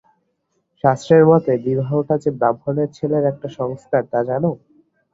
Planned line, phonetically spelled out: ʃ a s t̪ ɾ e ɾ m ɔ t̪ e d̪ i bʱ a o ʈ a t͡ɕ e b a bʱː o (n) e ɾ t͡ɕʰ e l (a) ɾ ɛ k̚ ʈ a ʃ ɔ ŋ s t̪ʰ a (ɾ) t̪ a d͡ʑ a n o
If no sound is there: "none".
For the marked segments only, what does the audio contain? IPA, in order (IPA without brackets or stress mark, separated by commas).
n, e, ɾ